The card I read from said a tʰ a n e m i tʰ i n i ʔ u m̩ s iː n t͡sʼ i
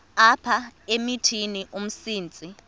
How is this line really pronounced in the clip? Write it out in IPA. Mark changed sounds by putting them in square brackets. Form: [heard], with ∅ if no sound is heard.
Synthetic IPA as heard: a [pʰ] a [∅] e m i tʰ i n i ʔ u m̩ s iː n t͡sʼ i